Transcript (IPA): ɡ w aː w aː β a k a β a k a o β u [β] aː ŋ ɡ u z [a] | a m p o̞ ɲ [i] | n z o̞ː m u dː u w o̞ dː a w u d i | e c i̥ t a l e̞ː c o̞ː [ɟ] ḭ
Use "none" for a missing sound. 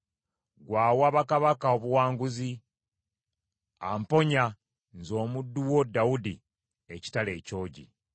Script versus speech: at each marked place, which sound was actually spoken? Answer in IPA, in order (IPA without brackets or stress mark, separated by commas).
w, i, a, ɟ